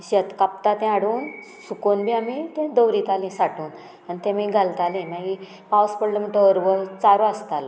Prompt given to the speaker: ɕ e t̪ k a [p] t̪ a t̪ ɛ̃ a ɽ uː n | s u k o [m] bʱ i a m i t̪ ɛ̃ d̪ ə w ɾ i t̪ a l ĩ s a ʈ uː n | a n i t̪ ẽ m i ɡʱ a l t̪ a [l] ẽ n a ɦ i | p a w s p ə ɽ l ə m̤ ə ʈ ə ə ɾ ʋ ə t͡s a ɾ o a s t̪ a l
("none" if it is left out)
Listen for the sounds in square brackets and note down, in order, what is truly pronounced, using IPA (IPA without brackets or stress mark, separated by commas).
p, n, l